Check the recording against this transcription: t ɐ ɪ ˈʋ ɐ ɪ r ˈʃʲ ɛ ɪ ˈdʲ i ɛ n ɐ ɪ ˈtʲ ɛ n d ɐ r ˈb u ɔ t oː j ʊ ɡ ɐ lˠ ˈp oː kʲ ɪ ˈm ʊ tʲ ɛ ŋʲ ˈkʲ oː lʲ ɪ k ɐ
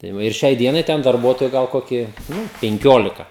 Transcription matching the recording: t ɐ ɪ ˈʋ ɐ ɪ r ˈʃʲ ɛ ɪ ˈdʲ i ɛ n ɐ ɪ ˈtʲ ɛ n d ɐ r ˈb u ɔ t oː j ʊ ɡ ɐ lˠ ˈk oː kʲ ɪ ˈn ʊ pʲ ɛ ŋʲ ˈkʲ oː lʲ ɪ k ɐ